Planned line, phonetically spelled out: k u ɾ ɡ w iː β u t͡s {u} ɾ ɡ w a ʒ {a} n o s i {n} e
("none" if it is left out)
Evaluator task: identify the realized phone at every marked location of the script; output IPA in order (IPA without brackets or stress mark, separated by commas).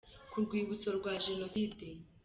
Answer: o, e, d